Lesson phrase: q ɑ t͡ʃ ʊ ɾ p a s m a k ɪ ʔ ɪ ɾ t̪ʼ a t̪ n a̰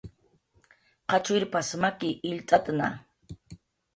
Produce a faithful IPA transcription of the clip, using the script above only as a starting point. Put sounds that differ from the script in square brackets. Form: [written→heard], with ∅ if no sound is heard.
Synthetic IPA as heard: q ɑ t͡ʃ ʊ ɾ p a s m a k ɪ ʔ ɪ [ɾ→ʎ] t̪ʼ a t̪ n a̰